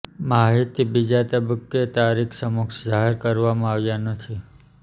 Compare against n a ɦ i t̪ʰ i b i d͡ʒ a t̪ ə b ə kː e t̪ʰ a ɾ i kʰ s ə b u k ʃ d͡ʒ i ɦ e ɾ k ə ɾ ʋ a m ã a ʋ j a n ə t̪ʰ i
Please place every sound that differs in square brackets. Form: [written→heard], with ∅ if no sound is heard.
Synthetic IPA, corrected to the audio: [n→m] a ɦ i [t̪ʰ→t̪] i b i d͡ʒ a t̪ ə b ə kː e [t̪ʰ→t̪] a ɾ i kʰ s ə [b→m] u k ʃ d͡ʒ [i→a] ɦ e ɾ k ə ɾ ʋ a m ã a ʋ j a n ə t̪ʰ i